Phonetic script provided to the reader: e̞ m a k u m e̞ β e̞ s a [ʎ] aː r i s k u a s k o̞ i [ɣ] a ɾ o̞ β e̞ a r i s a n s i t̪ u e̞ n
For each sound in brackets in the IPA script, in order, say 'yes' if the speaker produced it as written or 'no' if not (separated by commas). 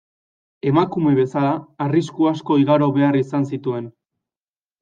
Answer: no, yes